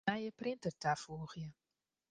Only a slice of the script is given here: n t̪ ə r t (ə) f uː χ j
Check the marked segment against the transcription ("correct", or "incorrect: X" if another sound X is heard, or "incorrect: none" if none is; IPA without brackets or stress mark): incorrect: a